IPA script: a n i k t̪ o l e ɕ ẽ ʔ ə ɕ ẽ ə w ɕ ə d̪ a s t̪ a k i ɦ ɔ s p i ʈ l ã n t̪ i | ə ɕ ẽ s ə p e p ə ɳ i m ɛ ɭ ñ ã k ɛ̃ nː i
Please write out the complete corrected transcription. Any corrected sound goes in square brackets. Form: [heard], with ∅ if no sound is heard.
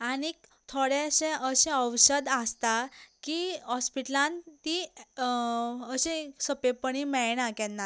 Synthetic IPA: a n i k [t̪ʰ] o [ɽ] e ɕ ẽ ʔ ə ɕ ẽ ə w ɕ ə d̪ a s t̪ a k i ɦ ɔ s p i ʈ l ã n t̪ i | ə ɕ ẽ s ə p e p ə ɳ i m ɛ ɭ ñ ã k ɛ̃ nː [a]